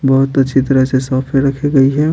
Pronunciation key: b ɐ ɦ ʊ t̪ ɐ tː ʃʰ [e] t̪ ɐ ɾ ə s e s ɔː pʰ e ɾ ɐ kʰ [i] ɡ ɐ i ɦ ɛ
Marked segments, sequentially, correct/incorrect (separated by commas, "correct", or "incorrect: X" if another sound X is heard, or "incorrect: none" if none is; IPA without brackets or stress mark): incorrect: i, incorrect: e